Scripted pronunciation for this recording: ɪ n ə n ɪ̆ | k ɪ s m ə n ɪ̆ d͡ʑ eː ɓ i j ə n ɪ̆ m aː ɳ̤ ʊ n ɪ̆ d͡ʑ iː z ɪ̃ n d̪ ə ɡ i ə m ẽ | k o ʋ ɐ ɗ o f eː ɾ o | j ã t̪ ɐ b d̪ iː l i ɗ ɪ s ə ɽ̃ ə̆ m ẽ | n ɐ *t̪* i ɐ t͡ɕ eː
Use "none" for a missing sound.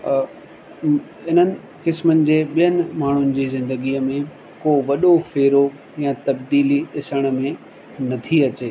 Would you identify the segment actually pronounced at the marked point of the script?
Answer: t̪ʰ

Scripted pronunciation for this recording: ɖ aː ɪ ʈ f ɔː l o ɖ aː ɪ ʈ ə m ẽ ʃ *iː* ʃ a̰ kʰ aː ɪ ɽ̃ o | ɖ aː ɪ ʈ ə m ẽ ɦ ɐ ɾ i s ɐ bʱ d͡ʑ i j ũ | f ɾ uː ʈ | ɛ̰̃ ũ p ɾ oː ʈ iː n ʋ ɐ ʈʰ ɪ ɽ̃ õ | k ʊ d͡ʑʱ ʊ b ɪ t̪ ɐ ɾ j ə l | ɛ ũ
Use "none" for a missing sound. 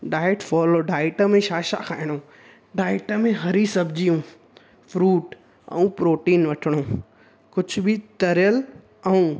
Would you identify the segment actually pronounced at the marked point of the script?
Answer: aː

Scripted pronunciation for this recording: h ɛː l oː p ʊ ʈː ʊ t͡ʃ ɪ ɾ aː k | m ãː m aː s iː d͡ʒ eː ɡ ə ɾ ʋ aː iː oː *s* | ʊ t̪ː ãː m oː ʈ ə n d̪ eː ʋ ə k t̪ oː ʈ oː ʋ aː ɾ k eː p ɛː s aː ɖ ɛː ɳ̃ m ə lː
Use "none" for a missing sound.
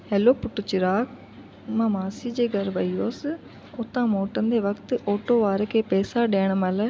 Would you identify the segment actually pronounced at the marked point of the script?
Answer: s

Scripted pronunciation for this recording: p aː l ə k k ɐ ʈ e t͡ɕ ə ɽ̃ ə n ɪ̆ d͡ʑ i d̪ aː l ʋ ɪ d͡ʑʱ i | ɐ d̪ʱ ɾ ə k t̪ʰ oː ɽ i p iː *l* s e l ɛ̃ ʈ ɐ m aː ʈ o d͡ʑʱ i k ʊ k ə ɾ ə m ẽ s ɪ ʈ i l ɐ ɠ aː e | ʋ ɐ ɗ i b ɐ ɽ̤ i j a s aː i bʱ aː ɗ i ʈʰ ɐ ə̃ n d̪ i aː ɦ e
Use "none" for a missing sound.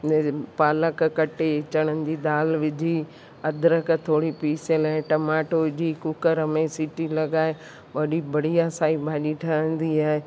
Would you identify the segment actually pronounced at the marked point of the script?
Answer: none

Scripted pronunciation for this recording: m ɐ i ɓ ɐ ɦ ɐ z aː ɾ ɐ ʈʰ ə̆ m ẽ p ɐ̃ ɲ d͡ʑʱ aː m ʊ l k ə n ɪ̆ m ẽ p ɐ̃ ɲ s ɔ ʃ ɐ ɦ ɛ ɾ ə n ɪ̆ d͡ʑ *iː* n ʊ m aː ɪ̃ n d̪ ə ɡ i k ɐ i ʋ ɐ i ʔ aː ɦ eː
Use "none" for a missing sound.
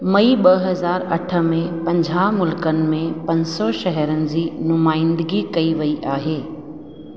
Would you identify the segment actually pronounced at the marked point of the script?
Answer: iː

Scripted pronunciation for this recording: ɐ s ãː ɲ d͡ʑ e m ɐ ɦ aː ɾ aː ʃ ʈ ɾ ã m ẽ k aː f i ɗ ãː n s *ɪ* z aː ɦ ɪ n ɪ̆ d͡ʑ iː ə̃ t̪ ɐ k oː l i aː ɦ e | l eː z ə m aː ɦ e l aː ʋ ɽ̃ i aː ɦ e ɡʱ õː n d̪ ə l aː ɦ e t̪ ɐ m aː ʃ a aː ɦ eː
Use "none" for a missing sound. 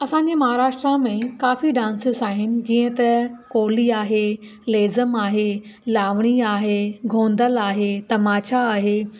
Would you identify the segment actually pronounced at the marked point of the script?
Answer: ɪ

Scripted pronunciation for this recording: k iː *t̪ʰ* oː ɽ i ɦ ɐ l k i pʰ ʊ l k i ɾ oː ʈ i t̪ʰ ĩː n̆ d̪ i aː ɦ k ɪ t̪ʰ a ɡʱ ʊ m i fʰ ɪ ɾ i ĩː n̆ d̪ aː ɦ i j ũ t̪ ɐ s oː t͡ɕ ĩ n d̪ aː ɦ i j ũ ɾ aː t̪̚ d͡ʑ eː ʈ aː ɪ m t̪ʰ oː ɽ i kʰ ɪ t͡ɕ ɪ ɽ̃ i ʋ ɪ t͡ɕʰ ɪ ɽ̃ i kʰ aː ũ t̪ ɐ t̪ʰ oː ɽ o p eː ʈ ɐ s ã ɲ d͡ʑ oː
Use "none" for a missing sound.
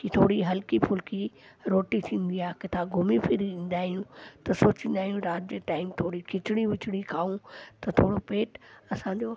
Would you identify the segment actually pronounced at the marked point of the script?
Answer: t̪ʰ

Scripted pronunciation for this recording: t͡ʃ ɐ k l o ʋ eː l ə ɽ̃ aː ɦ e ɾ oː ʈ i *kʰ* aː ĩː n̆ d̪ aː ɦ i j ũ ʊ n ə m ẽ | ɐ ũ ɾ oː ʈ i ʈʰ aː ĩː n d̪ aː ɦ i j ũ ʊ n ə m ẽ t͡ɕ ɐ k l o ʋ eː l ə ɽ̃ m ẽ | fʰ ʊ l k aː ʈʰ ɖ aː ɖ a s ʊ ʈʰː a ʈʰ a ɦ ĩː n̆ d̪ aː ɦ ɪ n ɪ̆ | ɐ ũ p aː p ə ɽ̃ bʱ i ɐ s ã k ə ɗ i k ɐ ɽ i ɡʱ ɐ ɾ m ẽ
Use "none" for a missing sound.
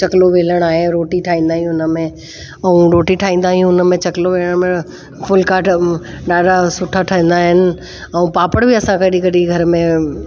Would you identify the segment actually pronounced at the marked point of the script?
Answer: ʈʰ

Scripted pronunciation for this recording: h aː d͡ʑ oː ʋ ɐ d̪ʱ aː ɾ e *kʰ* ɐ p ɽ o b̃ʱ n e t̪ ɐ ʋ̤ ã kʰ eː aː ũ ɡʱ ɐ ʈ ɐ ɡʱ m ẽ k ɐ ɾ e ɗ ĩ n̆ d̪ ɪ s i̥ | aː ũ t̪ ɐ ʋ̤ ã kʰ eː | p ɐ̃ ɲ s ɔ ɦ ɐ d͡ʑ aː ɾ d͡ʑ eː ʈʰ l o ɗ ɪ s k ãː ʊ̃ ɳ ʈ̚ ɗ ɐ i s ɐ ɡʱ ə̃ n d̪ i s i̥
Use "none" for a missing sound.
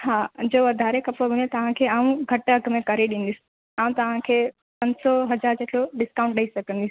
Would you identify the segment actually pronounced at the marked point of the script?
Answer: k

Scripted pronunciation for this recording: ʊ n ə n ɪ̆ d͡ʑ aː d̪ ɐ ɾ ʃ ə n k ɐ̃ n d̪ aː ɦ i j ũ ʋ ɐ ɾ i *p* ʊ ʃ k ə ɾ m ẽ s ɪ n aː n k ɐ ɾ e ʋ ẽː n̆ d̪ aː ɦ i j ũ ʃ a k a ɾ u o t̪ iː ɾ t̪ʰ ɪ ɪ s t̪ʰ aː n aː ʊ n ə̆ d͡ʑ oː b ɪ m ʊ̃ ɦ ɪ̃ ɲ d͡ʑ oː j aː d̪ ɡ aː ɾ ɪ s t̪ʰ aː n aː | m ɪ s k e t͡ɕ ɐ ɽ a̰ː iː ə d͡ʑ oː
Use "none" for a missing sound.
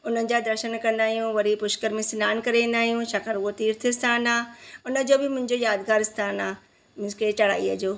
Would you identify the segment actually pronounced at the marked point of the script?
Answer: p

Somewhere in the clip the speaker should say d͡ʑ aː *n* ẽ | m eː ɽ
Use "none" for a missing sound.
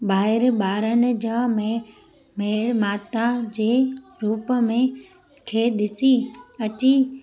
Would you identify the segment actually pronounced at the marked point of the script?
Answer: m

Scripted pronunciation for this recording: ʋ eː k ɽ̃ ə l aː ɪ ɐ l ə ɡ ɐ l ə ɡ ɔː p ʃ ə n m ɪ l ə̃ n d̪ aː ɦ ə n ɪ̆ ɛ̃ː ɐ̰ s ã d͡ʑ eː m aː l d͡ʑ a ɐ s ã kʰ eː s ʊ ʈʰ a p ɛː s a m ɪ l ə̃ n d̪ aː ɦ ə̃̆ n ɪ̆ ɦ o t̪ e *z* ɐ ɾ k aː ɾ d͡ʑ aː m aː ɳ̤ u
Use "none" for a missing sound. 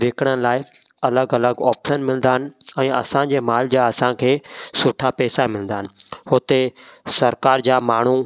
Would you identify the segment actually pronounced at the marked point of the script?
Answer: s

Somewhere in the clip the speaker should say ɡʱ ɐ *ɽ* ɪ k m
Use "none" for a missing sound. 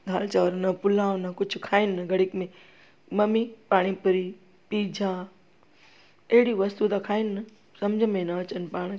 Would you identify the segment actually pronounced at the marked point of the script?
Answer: ɽ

